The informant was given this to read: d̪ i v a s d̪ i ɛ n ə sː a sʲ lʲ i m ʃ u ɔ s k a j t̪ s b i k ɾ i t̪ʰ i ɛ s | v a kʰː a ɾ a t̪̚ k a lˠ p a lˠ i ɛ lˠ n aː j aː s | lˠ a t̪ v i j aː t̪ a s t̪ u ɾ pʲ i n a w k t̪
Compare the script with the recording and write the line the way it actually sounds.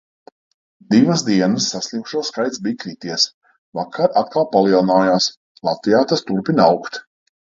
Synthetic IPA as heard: d̪ i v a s d̪ i ɛ n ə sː a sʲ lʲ i m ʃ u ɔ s k a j t̪ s b i k ɾ i t̪ i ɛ s | v a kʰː a ɾ a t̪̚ k a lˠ p a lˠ i ɛ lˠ n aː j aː s | lˠ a t̪ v i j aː t̪ a s t̪ u ɾ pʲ i n a w k t̪